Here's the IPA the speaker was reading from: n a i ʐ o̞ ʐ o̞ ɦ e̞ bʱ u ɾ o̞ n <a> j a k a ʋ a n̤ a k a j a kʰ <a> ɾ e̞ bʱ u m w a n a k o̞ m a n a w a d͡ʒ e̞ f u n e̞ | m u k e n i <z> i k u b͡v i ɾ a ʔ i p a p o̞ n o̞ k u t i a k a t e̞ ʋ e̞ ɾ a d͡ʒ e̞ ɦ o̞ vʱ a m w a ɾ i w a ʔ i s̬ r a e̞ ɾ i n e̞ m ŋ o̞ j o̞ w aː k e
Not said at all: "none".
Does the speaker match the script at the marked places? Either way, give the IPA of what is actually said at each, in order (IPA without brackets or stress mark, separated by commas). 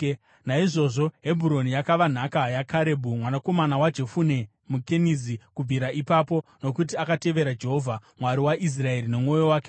i, a, z